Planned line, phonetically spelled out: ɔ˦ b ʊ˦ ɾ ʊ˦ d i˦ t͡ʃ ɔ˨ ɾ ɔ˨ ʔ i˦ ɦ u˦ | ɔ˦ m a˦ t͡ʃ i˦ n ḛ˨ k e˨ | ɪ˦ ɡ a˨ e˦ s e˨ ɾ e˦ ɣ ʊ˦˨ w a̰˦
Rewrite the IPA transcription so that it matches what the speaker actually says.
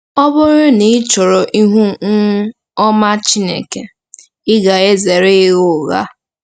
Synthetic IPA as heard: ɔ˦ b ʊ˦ ɾ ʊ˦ n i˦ t͡ʃ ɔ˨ ɾ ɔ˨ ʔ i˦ ɦ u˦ | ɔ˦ m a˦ t͡ʃ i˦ n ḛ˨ k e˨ | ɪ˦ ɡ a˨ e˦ z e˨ ɾ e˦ ɣ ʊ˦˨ ɣ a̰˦